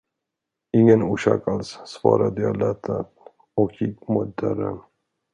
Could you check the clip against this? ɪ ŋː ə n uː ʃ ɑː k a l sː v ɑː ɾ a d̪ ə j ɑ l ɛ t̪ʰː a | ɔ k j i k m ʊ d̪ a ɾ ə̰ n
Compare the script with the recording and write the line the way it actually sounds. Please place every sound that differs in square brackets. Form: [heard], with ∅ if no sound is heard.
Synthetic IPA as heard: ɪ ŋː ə n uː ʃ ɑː k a l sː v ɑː ɾ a d̪ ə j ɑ l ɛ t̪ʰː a | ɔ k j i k m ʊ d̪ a ɾ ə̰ n